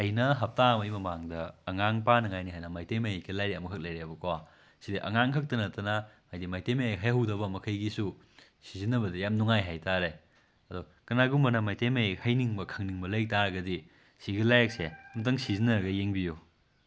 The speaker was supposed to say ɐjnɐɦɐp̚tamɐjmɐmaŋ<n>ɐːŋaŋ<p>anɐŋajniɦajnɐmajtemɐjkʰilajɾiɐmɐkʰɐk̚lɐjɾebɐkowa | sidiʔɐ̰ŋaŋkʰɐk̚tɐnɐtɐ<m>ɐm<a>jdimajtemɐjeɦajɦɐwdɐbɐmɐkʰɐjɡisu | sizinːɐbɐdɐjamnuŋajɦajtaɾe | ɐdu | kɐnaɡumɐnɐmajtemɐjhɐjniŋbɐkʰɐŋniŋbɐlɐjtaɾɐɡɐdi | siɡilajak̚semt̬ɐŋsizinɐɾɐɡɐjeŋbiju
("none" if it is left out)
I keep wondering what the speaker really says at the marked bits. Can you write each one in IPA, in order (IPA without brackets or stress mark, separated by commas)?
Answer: d, p, n, a